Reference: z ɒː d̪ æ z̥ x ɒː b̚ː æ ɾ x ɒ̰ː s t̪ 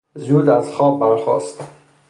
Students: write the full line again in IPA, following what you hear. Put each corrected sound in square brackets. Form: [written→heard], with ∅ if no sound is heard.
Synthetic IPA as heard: z [ɒː→uː] d̪ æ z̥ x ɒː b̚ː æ ɾ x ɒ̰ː s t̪